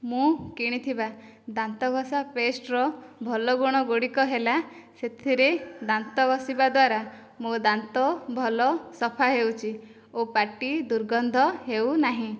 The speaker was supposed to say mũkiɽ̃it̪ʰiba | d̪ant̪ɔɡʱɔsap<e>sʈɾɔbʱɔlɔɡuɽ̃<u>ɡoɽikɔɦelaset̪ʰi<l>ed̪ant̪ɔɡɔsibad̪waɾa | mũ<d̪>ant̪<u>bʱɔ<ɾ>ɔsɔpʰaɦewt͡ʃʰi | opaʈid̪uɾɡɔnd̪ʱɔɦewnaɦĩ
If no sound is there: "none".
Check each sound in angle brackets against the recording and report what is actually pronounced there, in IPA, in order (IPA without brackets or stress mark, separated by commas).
e, ɔ, ɾ, d̪, ɔ, l